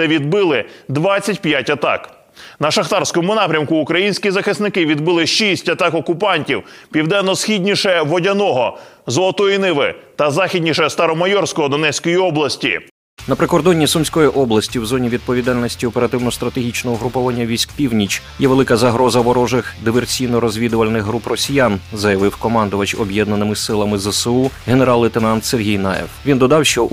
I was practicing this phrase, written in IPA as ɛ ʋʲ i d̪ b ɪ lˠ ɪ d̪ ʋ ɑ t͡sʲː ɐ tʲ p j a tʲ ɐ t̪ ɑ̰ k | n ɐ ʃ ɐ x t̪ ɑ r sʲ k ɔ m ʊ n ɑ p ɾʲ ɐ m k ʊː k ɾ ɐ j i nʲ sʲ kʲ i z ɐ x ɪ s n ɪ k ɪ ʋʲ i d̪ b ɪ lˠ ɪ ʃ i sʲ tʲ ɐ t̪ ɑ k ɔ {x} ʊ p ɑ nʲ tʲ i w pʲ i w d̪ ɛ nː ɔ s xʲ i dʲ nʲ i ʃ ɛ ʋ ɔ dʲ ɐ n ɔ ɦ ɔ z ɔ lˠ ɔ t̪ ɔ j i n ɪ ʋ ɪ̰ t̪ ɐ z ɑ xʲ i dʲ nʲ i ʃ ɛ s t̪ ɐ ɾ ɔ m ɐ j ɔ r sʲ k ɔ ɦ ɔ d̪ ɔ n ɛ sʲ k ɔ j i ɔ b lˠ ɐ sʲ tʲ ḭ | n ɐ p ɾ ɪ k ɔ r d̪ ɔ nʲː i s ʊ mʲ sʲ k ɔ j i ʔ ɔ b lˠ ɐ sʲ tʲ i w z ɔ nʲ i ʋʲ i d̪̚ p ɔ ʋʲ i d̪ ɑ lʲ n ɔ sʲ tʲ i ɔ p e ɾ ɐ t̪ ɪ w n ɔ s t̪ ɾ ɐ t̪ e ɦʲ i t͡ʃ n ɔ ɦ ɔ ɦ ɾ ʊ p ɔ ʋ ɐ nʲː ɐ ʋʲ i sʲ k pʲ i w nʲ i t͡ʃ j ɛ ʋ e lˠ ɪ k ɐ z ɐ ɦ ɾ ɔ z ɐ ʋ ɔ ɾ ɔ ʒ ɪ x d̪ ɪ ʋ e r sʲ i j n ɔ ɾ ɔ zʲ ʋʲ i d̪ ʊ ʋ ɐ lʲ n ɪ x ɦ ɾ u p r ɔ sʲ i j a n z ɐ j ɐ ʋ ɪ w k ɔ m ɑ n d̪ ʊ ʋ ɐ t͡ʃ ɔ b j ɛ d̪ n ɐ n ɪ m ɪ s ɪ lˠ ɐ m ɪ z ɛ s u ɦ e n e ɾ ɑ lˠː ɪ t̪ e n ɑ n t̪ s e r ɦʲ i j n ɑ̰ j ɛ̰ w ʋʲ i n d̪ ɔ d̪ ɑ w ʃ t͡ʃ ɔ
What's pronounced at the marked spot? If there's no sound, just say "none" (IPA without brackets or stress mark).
k